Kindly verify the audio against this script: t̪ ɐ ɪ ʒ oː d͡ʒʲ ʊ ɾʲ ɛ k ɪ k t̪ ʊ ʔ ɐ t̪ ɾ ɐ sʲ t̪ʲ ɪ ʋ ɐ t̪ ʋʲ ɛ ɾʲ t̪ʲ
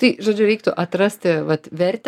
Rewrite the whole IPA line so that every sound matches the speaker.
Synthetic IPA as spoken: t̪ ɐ ɪ ʒ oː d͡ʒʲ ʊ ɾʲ ɛ ɪ k t̪ ʊ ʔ ɐ t̪ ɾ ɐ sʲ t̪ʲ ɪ ʋ ɐ t̪ ʋʲ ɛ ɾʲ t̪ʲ

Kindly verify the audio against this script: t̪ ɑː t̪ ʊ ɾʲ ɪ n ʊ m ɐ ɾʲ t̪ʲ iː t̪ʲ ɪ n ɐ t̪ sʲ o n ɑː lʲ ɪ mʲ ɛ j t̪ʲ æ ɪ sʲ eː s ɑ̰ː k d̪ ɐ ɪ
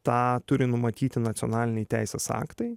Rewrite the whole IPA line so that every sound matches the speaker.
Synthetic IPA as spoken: t̪ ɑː t̪ ʊ ɾʲ ɪ n ʊ m ɐ t̪ʲ iː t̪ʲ ɪ n ɐ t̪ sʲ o n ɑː lʲ ɪ nʲ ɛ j t̪ʲ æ ɪ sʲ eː s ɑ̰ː k t̪ ɐ ɪ

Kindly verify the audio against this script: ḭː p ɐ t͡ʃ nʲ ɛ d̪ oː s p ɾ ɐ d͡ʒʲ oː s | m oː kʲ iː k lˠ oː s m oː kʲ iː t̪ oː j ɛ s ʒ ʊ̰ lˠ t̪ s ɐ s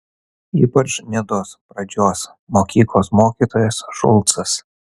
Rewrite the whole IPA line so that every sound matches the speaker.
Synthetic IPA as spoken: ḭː p ɐ t͡ʃ nʲ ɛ d̪ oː s p ɾ ɐ d͡ʒʲ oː s | m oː kʲ iː k lˠ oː s m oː kʲ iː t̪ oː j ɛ s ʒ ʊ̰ lˠ t̪ s ɐ s

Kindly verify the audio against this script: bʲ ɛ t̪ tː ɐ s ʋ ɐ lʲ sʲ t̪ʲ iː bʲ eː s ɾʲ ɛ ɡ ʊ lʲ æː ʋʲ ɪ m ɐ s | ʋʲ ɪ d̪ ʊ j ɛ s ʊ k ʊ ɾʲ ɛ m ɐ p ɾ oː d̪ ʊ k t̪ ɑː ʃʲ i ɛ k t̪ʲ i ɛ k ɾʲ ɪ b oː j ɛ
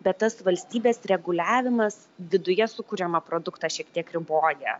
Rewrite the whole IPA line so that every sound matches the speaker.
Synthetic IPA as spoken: bʲ ɛ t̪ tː ɐ s ʋ ɐ lʲ sʲ t̪ʲ iː bʲ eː s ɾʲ ɛ ɡ ʊ lʲ æː ʋʲ ɪ m ɐ s | ʋʲ ɪ d̪ ʊ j ɛ s ʊ k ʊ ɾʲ ɛ m ɐ p ɾ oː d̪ ʊ k t̪ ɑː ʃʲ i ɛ k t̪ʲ i ɛ k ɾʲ ɪ b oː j ɛ

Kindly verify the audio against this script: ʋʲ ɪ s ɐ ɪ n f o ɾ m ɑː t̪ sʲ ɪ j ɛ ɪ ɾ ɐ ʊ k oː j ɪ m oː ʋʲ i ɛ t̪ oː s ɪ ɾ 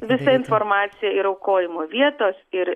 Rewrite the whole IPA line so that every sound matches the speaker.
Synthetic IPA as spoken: ʋʲ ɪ s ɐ ɪ n f o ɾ m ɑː t̪ sʲ ɪ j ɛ ɪ ɾ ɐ ʊ k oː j ɪ m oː ʋʲ i ɛ t̪ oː s ɪ ɾ

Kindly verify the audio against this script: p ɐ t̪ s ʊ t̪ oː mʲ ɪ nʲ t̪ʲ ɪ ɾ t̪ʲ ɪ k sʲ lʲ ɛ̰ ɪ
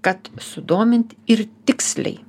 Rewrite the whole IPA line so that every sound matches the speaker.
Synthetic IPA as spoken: k ɐ t̪ s ʊ d̪ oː mʲ ɪ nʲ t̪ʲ ɪ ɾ t̪ʲ ɪ k sʲ lʲ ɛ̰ ɪ

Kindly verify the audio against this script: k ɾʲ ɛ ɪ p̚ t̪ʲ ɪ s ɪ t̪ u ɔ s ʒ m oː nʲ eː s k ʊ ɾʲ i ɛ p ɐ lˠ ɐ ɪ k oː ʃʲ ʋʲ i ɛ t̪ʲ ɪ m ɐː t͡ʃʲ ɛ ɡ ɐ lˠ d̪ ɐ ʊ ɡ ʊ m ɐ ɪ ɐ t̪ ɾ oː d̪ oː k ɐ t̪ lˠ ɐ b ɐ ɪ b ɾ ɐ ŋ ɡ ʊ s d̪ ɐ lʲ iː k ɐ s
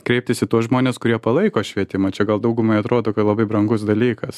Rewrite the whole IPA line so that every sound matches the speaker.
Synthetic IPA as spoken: k ɾʲ ɛ ɪ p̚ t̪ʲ ɪ s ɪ t̪ u ɔ s ʒ m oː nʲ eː s k ʊ ɾʲ i ɛ p ɐ lˠ ɐ ɪ k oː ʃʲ ʋʲ i ɛ t̪ʲ ɪ m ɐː t͡ʃʲ ɛ ɡ ɐ lˠ d̪ ɐ ʊ ɡ ʊ m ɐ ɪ ɐ t̪ ɾ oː d̪ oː k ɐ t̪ lˠ ɐ b ɐ ɪ b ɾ ɐ ŋ ɡ ʊ s d̪ ɐ lʲ iː k ɐ s

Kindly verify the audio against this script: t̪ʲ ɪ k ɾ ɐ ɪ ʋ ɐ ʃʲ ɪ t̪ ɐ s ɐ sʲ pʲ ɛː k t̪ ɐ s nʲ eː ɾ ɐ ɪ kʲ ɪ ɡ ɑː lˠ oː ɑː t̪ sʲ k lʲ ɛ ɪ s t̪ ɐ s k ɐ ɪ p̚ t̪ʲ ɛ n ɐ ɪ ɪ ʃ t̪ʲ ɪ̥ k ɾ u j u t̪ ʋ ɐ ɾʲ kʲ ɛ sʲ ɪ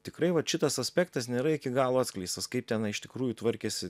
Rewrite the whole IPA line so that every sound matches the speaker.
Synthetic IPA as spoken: t̪ʲ ɪ k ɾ ɐ ɪ ʋ ɐ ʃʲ ɪ t̪ ɐ s ɐ sʲ pʲ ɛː k t̪ ɐ s nʲ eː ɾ ɐ ɪ kʲ ɪ ɡ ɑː lˠ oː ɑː t̪ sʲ k lʲ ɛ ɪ s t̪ ɐ s k ɐ ɪ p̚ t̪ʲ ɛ n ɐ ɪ ɪ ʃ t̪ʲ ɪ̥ k ɾ uː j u t̪ ʋ ɐ ɾʲ kʲ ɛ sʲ ɪ

